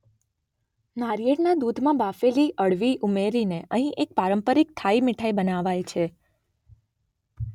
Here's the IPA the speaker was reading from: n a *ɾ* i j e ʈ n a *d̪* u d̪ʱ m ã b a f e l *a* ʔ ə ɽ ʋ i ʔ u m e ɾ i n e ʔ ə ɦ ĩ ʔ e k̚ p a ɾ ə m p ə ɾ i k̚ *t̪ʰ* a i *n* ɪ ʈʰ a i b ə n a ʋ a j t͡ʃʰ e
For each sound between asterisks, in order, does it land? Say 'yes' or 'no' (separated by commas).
yes, yes, no, yes, no